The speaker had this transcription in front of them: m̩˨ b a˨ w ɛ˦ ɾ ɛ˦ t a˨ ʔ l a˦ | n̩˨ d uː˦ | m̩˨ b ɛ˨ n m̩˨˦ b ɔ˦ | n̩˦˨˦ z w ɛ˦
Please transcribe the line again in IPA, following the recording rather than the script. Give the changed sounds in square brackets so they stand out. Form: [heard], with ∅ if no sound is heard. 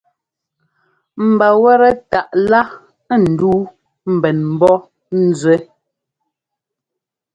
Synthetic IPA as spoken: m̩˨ b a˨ w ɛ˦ ɾ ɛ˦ t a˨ ʔ l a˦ | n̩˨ d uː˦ | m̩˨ b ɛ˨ n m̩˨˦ b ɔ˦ | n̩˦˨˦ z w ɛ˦